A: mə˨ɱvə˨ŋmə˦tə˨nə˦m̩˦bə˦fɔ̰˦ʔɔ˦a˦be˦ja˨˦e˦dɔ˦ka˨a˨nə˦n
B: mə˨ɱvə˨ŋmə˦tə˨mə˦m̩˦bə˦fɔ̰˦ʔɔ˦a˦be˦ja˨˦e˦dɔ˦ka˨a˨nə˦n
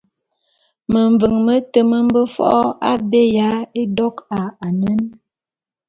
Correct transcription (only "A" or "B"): B